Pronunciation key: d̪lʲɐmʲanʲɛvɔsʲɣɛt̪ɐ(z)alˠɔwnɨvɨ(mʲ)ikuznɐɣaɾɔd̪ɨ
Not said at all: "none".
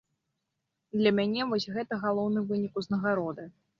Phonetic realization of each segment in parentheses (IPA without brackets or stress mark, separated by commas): ɣ, nʲ